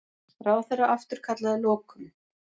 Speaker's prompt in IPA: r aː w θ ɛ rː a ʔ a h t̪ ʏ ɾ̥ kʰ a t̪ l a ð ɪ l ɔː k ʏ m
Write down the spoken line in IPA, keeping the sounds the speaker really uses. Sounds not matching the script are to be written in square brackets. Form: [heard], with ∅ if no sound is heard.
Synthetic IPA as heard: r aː w θ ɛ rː a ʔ a [f] t̪ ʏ ɾ̥ kʰ a t̪ l a ð ɪ l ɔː k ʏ m